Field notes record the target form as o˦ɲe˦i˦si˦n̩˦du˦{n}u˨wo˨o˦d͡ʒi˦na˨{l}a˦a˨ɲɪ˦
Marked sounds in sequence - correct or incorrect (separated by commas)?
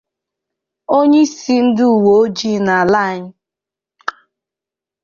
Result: incorrect, correct